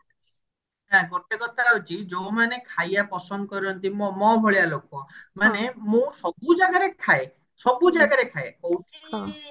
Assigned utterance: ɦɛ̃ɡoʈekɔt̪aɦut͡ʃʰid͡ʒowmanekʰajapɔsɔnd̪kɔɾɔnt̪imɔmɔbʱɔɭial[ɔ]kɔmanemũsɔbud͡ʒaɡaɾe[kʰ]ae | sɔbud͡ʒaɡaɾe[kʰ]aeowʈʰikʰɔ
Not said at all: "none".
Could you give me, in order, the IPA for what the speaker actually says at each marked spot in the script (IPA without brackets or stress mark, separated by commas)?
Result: o, kʰ, kʰ